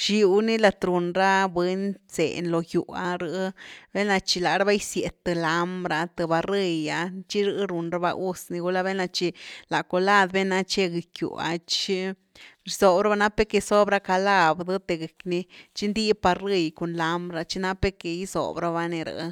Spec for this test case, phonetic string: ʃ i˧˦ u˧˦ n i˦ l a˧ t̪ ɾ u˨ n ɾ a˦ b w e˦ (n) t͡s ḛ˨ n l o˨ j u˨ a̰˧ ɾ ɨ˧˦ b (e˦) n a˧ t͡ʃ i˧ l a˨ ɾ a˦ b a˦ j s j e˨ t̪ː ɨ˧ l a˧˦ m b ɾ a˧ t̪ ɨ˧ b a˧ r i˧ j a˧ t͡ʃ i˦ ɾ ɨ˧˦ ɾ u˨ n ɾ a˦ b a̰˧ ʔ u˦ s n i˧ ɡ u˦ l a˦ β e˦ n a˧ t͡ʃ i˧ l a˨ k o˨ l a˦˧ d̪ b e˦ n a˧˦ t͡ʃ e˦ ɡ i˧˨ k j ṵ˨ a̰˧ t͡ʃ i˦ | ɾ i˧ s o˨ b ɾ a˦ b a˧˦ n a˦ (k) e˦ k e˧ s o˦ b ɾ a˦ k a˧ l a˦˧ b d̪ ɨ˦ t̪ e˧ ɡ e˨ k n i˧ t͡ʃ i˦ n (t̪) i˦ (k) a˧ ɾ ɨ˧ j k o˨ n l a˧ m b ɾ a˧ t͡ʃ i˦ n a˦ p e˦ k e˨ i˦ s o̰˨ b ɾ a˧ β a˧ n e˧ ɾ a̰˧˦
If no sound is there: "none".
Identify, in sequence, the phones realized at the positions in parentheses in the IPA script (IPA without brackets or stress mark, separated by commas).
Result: n, e˦, p, d̪, p